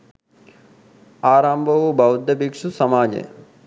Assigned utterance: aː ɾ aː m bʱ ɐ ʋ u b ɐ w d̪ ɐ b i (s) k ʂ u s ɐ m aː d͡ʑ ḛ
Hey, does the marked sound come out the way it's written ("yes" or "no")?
no